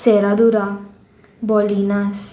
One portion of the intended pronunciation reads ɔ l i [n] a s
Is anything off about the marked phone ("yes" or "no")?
no